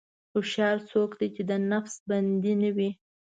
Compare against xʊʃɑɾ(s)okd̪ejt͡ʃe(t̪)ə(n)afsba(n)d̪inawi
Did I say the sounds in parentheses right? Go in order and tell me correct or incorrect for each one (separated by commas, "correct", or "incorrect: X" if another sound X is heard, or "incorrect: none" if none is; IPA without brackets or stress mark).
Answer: correct, incorrect: d̪, correct, correct